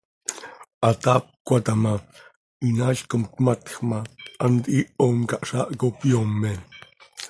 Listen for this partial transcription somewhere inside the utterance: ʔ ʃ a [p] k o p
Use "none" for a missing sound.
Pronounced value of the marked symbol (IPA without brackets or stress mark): ʔ